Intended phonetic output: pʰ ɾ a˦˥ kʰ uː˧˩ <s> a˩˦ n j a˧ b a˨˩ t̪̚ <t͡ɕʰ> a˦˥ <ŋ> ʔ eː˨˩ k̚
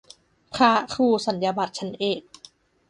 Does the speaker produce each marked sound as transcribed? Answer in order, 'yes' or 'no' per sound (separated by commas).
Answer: yes, yes, no